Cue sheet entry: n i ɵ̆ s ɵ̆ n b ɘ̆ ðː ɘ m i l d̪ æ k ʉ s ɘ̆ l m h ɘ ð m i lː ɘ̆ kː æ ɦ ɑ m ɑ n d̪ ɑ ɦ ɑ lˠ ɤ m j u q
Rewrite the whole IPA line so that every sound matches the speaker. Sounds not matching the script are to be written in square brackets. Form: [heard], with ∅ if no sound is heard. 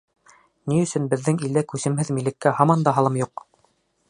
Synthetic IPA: n i ɵ̆ s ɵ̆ n b ɘ̆ ðː ɘ [ŋ] i l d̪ æ k ʉ s ɘ̆ [∅] m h ɘ ð m i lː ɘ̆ kː æ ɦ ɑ m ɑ n d̪ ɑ ɦ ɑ lˠ ɤ m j u q